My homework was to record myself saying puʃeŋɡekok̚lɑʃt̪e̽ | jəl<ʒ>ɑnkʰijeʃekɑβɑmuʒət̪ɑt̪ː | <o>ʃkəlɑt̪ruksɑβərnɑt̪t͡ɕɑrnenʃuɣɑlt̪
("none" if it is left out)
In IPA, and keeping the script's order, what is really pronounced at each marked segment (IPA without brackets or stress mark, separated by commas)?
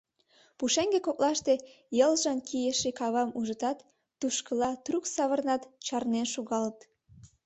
ʒ, u